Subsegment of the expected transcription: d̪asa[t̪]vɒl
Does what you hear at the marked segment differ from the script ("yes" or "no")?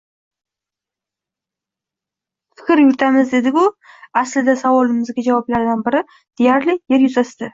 yes